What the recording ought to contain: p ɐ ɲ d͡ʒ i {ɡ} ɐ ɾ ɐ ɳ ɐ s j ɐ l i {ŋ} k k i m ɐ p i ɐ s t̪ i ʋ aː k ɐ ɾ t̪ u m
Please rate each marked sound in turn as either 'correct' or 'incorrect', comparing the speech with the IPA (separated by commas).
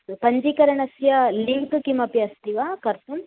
incorrect, correct